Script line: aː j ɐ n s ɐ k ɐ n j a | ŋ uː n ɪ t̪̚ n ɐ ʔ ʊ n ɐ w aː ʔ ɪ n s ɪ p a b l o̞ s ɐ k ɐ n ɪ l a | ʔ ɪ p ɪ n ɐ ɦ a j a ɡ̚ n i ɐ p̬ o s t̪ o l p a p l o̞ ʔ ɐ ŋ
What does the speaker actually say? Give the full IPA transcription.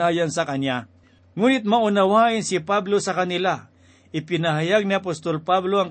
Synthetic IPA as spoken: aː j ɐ n s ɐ k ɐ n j a | ŋ uː n ɪ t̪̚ m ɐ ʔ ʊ n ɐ w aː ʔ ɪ n s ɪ p a b l o̞ s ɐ k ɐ n ɪ l a | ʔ ɪ p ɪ n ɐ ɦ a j a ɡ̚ n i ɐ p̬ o s t̪ o l p a b l o̞ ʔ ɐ ŋ